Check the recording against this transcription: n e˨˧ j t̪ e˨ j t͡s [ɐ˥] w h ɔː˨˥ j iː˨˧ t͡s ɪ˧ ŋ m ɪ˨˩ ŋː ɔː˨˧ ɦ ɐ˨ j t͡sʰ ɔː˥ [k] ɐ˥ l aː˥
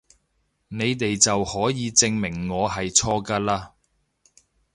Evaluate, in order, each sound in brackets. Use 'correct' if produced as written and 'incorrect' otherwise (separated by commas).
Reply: incorrect, correct